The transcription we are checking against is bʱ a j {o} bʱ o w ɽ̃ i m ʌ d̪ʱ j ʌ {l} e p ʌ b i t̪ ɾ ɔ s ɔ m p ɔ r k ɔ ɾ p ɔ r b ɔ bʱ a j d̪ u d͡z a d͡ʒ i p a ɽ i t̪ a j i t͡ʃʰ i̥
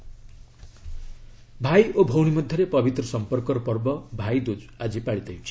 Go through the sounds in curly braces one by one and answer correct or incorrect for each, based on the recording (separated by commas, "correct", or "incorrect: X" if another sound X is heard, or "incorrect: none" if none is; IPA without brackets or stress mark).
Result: correct, incorrect: ɾ